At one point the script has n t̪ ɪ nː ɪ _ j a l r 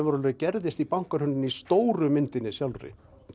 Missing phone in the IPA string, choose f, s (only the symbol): s